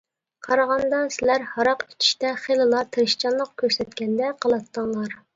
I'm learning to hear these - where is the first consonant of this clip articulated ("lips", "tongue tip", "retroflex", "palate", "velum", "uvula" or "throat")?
uvula